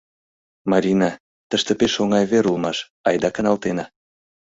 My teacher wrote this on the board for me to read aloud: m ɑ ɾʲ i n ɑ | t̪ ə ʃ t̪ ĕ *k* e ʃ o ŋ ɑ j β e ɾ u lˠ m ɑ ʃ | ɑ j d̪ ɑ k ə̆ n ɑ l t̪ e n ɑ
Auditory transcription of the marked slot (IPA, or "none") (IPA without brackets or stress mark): p